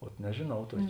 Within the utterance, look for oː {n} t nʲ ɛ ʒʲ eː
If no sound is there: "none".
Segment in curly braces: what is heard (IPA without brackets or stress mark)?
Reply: none